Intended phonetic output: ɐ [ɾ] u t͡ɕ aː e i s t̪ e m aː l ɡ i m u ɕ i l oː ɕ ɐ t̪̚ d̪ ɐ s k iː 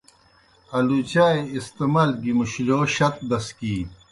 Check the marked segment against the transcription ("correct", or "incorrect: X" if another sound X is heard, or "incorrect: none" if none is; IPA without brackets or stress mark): incorrect: l